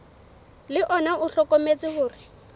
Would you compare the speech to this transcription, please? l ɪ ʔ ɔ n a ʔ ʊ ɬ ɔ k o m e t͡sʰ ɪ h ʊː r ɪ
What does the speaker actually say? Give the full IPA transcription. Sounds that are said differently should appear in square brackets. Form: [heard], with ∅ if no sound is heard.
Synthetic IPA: l ɪ ʔ ɔ n a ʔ ʊ ɬ ɔ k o m e [t͡s] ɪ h ʊː r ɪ